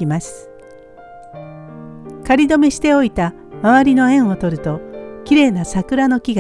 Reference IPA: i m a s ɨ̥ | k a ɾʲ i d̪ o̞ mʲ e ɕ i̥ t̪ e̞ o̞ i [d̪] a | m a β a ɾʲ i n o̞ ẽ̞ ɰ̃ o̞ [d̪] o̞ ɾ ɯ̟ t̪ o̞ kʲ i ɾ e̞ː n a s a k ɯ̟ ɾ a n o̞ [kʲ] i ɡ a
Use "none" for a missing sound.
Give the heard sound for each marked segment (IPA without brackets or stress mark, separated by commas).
t̪, t̪, kʲ